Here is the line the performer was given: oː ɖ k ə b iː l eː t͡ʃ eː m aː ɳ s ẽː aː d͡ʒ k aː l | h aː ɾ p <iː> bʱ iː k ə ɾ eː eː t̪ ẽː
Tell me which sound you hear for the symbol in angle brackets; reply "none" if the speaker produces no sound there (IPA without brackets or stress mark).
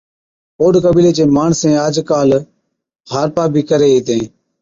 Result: aː